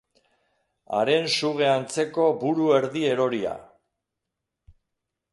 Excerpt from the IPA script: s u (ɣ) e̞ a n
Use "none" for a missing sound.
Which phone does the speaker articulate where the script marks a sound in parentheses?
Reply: ɣ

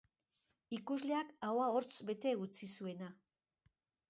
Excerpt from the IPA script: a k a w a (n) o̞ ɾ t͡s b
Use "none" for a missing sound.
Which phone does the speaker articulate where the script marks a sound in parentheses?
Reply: none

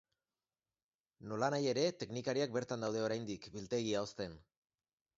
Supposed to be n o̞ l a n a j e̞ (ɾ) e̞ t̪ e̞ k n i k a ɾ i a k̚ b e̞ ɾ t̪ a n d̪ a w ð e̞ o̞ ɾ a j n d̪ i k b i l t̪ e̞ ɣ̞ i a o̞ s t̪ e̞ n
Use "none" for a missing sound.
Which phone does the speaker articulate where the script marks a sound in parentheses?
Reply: ɾ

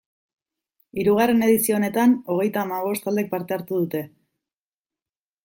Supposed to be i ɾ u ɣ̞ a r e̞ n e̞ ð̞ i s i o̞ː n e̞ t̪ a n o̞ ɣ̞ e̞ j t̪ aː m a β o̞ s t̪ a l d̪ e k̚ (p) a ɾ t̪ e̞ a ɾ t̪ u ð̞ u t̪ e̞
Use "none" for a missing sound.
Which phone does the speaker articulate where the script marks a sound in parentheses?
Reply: p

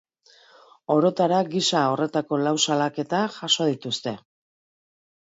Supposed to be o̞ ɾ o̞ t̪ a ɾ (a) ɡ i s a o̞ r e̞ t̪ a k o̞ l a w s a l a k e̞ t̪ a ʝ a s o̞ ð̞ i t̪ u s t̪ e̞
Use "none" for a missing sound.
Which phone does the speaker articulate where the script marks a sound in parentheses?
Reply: a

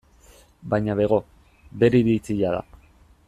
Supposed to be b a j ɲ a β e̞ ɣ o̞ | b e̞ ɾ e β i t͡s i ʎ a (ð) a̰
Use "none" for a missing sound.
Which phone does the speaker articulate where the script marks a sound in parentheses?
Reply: ð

